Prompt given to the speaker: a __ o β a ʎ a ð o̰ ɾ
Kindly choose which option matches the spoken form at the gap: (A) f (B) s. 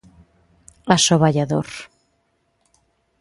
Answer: B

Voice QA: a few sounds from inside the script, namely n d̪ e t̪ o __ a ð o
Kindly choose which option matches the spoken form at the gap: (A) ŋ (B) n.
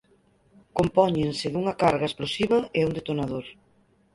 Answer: B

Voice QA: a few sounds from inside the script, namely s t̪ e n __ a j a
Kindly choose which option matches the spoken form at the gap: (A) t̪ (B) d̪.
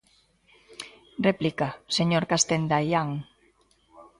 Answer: B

